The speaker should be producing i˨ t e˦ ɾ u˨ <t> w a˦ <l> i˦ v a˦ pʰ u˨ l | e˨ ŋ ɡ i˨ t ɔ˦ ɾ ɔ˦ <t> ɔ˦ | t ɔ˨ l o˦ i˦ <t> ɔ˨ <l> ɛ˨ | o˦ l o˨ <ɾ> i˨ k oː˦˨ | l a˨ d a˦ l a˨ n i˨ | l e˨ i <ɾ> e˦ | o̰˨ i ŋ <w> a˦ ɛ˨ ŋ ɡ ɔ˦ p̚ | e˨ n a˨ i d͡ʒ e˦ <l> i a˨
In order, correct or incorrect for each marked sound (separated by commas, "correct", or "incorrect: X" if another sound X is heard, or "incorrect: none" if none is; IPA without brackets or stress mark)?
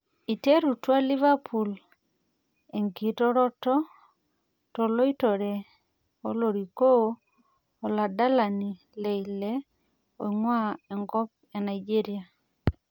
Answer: correct, correct, correct, correct, incorrect: ɾ, correct, incorrect: l, correct, incorrect: ɾ